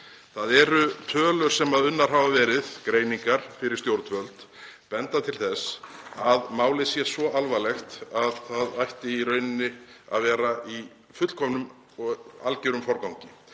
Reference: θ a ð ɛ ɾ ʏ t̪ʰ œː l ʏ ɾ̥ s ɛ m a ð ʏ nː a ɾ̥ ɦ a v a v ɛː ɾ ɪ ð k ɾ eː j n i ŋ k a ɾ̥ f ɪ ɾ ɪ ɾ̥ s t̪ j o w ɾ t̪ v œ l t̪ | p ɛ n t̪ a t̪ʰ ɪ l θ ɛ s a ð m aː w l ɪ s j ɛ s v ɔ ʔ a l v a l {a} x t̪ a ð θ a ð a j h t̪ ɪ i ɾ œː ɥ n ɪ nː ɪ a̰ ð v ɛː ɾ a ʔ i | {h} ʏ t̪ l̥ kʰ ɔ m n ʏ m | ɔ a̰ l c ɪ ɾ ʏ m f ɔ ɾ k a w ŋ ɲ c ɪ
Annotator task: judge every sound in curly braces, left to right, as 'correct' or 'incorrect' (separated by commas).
incorrect, incorrect